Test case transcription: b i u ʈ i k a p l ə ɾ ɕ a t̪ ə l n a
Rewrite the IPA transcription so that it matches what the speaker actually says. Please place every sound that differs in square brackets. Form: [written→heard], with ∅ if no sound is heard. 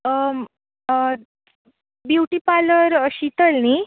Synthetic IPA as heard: b [i→j] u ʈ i [k→p] a [p→∅] l ə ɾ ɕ [a→i] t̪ ə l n [a→i]